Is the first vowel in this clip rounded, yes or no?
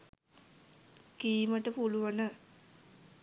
no